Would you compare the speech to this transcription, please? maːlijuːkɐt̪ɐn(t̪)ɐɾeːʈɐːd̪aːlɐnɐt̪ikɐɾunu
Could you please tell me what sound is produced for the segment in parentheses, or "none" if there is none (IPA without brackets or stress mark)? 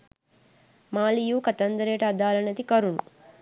d̪